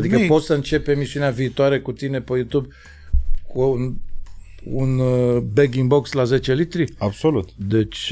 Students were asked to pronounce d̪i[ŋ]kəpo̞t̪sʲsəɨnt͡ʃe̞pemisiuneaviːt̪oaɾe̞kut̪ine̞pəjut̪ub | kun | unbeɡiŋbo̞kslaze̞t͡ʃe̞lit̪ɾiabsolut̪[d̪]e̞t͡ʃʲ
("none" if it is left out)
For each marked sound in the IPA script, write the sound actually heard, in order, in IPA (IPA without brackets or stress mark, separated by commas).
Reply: none, d̪